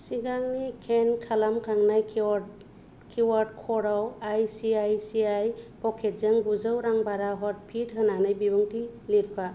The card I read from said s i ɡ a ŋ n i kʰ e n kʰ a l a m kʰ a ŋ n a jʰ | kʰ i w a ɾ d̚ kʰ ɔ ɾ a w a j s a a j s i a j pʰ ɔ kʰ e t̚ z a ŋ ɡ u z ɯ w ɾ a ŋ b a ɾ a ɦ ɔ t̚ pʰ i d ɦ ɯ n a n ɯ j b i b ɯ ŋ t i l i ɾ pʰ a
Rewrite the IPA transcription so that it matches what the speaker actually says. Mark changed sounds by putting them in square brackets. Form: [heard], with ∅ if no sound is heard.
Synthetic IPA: s i ɡ a ŋ n i kʰ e n kʰ a l a m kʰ a ŋ n a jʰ | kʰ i w a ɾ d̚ kʰ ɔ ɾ a w a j s [i] a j s i a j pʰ ɔ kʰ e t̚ z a ŋ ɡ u z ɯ w ɾ a ŋ b a ɾ a ɦ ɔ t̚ pʰ i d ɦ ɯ n a n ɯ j b i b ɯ ŋ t i l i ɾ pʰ a